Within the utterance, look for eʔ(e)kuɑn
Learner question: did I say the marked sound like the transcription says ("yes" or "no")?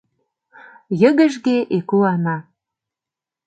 yes